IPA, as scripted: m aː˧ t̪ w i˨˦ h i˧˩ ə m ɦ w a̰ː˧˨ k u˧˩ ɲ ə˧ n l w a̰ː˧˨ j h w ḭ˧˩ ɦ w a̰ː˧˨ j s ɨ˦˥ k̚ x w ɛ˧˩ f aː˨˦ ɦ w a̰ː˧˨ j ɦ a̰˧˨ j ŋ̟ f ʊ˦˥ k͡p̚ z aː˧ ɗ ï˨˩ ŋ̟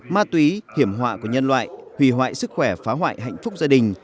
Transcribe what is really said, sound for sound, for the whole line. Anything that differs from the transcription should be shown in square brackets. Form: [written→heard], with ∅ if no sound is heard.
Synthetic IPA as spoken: m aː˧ t̪ w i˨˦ h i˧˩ ə m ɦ w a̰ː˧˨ k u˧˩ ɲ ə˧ n l w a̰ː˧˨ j h w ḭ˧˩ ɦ w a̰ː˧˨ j s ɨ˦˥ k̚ x w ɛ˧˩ f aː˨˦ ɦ w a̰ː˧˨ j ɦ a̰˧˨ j ŋ̟ f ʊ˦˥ k͡p̚ z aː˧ ɗ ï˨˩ ŋ̟